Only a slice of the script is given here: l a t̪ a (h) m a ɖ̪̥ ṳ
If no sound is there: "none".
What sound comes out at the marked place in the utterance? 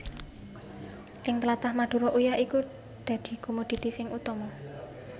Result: h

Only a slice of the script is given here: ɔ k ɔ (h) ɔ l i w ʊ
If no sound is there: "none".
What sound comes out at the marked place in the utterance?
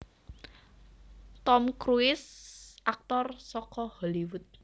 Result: h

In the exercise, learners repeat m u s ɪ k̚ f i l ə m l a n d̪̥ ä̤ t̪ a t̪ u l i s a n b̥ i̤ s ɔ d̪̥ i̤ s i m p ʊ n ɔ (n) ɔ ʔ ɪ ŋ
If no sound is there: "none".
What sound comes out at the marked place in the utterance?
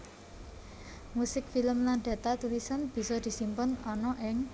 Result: n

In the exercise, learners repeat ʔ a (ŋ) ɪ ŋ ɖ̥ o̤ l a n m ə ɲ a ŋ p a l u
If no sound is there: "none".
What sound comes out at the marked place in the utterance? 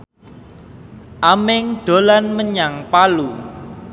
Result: m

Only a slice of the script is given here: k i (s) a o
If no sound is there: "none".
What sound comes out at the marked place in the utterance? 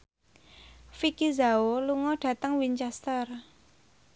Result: z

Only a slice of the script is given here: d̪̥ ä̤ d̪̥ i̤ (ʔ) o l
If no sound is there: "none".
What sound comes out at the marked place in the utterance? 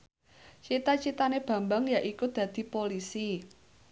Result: p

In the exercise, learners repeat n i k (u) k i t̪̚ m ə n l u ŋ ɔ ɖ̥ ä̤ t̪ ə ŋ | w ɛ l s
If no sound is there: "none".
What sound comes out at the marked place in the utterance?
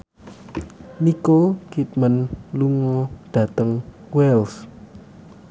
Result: o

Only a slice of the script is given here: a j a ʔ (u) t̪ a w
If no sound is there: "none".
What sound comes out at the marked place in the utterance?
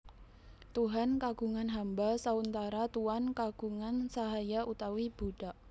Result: u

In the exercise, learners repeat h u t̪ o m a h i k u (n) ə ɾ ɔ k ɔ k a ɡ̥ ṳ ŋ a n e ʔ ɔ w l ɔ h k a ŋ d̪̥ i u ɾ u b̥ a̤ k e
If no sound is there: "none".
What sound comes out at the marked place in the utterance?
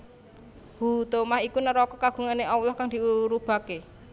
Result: n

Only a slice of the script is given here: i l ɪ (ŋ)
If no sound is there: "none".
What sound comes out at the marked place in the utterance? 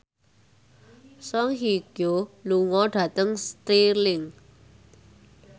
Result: ŋ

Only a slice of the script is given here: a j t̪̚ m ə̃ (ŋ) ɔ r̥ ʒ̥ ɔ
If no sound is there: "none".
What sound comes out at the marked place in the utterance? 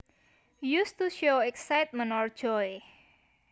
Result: n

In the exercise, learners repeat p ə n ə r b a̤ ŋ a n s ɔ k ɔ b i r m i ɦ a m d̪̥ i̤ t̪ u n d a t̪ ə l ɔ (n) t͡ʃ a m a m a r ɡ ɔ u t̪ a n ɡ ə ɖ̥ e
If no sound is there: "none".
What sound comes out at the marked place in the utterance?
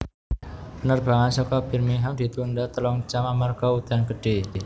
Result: ŋ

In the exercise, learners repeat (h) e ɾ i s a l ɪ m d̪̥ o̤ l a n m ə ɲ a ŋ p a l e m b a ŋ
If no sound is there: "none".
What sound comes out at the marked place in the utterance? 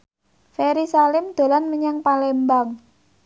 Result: f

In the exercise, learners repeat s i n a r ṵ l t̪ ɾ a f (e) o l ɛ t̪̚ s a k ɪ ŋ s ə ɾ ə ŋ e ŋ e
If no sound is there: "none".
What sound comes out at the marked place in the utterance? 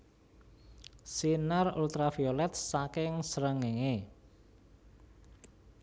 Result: i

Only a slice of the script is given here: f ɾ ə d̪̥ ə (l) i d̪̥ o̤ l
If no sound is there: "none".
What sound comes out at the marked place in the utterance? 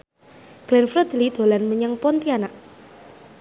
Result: l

